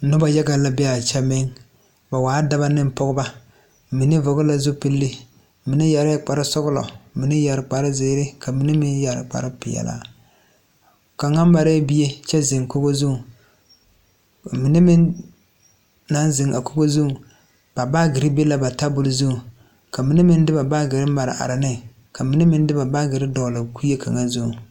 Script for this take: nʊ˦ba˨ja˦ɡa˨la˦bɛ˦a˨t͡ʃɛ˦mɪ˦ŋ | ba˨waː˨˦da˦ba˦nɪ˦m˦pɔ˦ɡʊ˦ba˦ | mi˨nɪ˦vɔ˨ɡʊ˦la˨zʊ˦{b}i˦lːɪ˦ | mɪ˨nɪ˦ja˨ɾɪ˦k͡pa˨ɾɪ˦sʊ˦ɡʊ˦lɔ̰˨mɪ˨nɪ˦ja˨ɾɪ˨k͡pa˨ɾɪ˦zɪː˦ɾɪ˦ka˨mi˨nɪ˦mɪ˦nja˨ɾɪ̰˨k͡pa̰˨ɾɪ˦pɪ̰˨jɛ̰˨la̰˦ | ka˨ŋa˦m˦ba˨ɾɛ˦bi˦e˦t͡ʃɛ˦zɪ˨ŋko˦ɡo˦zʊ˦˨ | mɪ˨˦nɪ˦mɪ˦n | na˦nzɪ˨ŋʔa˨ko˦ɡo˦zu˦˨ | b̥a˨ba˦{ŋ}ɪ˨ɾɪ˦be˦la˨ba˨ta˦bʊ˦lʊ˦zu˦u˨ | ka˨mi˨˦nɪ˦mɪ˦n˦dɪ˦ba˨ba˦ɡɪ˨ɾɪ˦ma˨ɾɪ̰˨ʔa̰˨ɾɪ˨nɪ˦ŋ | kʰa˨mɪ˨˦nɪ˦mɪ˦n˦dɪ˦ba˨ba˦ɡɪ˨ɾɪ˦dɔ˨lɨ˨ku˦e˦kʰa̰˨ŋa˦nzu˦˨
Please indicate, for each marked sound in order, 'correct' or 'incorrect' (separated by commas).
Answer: incorrect, incorrect